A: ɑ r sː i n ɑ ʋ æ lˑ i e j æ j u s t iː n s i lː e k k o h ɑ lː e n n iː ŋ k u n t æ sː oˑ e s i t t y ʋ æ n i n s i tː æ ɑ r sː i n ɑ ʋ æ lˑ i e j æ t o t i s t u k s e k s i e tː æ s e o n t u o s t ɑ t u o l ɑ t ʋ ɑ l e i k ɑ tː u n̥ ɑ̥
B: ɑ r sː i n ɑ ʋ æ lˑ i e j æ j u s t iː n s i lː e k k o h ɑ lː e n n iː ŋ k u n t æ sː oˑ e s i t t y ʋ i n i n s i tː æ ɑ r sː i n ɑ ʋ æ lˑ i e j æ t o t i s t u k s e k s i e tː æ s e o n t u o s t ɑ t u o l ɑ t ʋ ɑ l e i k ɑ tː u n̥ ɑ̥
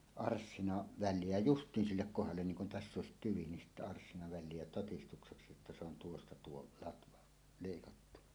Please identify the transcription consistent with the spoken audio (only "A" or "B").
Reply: B